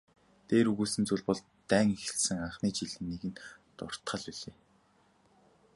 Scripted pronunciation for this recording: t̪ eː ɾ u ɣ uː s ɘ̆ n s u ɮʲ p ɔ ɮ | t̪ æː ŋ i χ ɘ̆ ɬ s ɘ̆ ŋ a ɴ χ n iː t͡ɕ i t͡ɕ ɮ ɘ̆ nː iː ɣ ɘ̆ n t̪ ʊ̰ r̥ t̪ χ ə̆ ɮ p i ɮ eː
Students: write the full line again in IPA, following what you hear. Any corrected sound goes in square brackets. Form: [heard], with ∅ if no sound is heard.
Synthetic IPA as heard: t̪ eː ɾ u ɣ uː s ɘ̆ n [t͡s] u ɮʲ p ɔ ɮ | t̪ æː ŋ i [x] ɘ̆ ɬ s ɘ̆ ŋ a ɴ χ n iː t͡ɕ i [∅] ɮ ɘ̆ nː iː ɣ ɘ̆ n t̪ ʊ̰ r̥ t̪ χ ə̆ ɮ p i ɮ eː